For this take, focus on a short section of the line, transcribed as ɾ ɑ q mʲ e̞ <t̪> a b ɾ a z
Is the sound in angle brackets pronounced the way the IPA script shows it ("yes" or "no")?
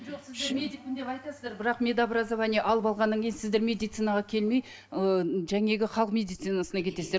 no